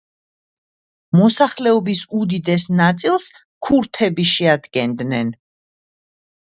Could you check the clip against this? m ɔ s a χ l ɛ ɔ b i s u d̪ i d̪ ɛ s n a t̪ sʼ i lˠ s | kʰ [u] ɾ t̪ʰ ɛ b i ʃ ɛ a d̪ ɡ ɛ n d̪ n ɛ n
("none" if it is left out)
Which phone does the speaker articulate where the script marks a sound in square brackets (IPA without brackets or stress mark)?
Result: u